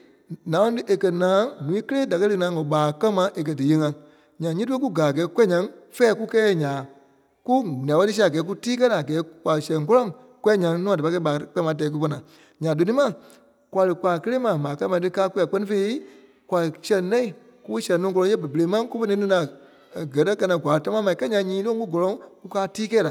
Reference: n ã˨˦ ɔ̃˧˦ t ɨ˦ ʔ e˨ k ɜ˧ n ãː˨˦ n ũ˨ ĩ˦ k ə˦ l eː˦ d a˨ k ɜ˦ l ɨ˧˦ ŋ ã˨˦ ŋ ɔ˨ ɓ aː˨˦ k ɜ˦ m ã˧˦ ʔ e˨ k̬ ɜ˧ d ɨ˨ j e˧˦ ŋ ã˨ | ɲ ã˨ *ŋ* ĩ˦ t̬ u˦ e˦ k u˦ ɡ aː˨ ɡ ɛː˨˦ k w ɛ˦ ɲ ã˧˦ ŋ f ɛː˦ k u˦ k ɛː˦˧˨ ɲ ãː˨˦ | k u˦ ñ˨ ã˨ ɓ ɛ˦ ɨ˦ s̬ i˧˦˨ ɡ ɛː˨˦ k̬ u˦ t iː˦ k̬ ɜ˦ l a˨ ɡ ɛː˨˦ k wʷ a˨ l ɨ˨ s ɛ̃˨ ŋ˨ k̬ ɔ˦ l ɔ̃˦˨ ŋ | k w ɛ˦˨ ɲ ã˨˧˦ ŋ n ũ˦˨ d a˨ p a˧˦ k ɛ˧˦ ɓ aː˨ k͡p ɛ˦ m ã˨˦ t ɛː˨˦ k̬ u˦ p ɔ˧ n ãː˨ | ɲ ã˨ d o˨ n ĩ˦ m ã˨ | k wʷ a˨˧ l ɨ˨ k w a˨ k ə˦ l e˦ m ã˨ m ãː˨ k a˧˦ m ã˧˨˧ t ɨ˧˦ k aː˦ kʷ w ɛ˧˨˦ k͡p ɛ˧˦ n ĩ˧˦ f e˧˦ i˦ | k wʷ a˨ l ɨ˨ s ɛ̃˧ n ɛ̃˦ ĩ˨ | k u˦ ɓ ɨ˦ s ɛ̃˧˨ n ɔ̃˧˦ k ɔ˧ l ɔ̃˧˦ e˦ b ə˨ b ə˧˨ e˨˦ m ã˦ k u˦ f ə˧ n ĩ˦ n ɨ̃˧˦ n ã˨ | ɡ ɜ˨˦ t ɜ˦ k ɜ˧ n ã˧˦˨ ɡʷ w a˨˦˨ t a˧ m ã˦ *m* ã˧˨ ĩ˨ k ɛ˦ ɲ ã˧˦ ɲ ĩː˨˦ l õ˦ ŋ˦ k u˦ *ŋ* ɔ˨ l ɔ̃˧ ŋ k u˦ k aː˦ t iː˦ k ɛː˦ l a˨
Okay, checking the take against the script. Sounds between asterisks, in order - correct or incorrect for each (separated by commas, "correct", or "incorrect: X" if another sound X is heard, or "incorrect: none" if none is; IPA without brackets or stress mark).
incorrect: ɲ, correct, incorrect: ɡ